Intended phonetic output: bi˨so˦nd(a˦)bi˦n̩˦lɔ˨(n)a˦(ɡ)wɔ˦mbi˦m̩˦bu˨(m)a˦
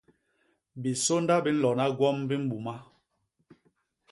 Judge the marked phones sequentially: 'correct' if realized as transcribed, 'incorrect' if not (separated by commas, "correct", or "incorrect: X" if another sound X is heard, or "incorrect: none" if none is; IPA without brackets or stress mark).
correct, correct, correct, correct